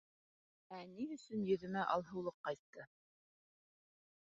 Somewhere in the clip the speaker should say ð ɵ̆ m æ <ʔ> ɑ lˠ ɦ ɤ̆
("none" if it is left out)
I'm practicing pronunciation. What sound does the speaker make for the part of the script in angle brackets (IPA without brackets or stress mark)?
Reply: ʔ